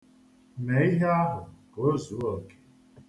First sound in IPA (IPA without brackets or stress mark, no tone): m